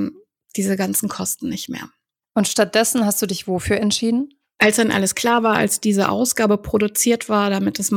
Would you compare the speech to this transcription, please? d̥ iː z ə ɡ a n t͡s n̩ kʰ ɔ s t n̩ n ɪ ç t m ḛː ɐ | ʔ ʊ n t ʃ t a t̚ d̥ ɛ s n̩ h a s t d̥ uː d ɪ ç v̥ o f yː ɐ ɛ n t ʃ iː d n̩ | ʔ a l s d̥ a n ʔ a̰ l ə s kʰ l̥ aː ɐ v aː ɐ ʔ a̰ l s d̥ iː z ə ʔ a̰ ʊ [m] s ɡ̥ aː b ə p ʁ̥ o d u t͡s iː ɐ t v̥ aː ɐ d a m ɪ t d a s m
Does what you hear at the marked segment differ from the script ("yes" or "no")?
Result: yes